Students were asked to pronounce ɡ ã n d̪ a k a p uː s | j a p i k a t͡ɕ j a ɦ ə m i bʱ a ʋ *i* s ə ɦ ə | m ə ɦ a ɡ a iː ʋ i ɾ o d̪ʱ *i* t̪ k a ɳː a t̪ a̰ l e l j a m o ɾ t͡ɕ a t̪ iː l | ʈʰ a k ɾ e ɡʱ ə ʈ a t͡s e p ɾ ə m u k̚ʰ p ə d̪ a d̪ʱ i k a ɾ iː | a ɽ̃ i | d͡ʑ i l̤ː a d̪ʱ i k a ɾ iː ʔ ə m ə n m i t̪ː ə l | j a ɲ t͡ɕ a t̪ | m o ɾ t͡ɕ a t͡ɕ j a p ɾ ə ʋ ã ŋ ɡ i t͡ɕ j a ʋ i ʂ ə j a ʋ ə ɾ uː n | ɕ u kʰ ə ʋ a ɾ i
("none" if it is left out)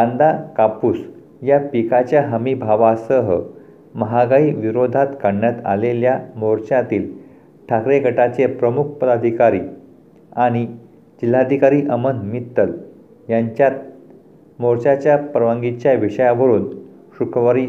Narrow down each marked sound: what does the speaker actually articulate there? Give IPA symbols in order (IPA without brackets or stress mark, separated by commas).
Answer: a, a